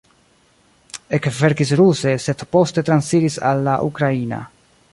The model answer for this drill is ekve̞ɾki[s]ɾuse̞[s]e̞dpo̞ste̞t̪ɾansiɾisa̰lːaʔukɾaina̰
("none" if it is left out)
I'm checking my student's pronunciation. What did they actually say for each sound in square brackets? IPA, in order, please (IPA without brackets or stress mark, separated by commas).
s, s